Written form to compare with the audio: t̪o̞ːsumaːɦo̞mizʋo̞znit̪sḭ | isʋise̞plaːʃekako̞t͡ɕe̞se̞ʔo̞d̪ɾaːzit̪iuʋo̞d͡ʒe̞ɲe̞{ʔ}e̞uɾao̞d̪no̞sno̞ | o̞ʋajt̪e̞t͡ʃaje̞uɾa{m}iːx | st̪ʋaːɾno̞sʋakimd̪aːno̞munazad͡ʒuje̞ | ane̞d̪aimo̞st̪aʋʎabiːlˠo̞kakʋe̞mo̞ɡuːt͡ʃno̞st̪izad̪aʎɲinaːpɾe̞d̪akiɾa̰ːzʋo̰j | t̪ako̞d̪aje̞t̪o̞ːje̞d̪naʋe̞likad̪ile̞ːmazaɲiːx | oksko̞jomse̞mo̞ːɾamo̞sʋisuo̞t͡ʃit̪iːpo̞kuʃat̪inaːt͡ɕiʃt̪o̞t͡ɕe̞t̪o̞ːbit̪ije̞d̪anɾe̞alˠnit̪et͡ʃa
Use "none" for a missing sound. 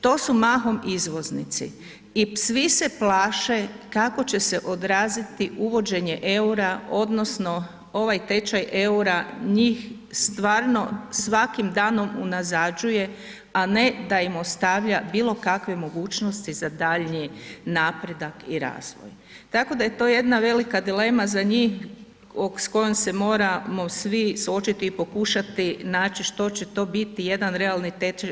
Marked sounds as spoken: ʔ, ɲ

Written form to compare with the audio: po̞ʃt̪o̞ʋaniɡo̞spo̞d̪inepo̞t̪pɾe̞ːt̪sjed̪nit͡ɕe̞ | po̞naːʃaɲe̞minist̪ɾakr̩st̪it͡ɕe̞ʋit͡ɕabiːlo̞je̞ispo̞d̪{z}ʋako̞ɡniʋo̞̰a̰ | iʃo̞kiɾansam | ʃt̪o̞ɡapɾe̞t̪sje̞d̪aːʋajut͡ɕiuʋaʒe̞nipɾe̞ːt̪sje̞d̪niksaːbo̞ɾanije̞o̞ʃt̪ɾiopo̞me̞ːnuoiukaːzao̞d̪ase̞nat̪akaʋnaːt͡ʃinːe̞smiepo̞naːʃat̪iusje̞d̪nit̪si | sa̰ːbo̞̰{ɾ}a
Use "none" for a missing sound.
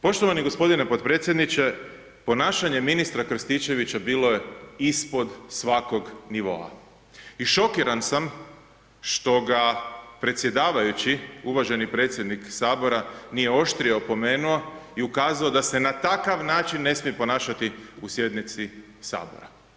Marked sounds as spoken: s, ɾ

